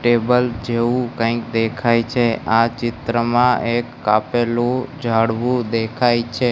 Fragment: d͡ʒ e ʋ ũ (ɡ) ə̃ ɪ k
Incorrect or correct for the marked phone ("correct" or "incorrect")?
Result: incorrect